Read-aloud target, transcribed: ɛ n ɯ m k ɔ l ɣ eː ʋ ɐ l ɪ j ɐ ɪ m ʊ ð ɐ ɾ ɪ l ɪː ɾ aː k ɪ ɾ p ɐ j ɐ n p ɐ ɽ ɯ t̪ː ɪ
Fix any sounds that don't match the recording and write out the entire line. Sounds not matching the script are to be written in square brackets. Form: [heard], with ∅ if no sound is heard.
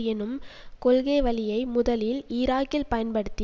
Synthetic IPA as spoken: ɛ n ɯ m k ɔ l ɣ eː ʋ ɐ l ɪ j ɐ ɪ m ʊ ð ɐ [l] ɪ l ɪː ɾ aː k ɪ [l] p ɐ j ɐ n p ɐ ɽ ɯ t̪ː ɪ